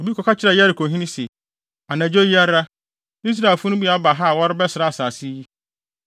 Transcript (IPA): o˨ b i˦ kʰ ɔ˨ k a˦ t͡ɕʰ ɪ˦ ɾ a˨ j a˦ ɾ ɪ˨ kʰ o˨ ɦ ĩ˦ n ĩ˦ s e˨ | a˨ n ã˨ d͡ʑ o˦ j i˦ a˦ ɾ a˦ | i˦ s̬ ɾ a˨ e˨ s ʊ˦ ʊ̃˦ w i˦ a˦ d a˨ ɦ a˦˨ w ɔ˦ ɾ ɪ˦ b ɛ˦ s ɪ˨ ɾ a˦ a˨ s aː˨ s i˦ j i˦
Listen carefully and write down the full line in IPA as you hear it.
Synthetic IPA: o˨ b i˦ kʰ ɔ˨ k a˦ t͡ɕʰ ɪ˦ ɾ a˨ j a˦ ɾ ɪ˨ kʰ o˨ ɦ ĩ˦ n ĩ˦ s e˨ | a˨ n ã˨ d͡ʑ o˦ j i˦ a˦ ɾ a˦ | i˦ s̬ ɾ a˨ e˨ f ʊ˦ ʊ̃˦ b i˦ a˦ b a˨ ɦ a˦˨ w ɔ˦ ɾ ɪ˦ b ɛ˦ s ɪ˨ ɾ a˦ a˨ s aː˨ s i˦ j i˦